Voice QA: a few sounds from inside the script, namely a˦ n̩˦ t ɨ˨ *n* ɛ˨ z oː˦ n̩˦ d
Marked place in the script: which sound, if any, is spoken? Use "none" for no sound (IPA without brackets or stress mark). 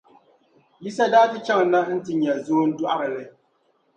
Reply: ɲ